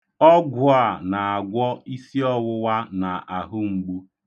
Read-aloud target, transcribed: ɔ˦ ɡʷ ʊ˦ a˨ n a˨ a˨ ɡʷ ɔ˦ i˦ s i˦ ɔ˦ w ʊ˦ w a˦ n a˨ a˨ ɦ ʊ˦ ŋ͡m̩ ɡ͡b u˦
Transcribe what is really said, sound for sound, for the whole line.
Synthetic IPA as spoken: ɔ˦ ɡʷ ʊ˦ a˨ n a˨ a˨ ɡʷ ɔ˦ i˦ s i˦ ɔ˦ w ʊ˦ w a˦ n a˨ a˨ ɦ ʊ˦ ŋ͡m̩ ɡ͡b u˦

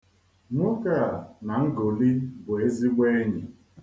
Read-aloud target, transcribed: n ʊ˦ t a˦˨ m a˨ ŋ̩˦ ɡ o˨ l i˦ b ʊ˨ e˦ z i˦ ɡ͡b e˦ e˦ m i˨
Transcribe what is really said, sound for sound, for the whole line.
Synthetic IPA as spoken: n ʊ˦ k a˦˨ n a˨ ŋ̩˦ ɡ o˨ l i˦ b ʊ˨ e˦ z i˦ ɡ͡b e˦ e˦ ɲ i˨

